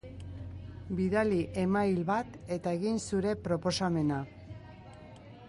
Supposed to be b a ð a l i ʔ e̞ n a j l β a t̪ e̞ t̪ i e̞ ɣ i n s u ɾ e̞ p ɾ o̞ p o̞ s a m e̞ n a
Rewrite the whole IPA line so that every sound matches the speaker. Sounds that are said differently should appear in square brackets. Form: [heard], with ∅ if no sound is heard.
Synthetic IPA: b [i] ð a l i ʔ e̞ [m] a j l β a t̪ e̞ t̪ [a] e̞ ɣ i n s u ɾ e̞ p ɾ o̞ p o̞ s a m e̞ n a